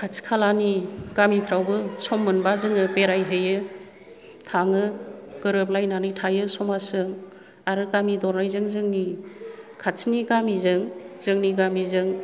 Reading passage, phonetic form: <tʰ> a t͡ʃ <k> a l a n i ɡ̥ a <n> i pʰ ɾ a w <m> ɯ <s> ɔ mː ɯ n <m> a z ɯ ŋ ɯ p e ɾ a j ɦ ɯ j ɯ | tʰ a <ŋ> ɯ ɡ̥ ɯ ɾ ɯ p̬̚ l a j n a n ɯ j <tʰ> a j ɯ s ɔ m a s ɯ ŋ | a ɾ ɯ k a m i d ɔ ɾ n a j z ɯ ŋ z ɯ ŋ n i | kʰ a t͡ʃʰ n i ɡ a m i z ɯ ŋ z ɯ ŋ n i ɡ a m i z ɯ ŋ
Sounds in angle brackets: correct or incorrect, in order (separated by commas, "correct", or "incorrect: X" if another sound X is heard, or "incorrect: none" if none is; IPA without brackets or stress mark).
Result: incorrect: kʰ, incorrect: kʰ, incorrect: m, incorrect: b, correct, incorrect: b, correct, correct